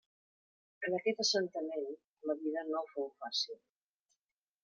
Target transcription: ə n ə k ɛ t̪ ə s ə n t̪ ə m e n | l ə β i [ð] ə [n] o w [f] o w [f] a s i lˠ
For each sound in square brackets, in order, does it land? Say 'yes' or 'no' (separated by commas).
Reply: yes, yes, yes, yes